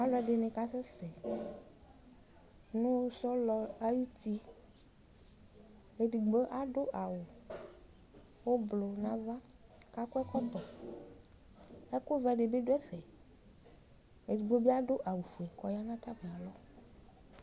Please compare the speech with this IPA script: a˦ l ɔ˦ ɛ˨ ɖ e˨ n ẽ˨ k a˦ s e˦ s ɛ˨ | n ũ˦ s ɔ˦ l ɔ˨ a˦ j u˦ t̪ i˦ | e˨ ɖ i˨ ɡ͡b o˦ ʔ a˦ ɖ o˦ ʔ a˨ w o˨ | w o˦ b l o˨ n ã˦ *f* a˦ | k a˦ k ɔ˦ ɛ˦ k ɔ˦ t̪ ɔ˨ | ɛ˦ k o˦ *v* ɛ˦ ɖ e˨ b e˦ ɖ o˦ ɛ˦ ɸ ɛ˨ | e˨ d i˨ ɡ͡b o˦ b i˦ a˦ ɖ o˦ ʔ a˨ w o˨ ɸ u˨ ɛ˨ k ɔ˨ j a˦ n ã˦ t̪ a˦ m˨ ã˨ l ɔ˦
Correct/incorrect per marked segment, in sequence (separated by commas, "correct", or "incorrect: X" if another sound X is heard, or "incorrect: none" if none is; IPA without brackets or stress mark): incorrect: v, correct